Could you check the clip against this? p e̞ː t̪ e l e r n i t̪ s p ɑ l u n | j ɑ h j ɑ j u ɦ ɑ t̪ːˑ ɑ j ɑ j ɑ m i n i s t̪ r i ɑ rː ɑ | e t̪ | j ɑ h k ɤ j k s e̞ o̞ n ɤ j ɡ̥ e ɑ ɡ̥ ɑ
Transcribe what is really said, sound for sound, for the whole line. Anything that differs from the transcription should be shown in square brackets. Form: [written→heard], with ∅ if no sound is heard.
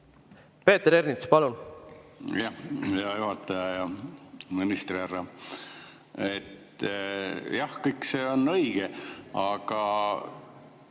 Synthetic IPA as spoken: p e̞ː t̪ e [l→ɾ] e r n i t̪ s p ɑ l u n | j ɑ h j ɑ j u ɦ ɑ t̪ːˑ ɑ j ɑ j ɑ m i n i s t̪ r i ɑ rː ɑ | e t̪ | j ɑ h k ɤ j k s e̞ o̞ n ɤ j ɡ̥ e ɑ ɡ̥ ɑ